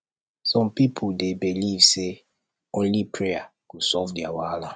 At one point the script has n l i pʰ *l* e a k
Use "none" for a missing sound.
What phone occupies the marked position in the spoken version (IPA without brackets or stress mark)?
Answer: ɹ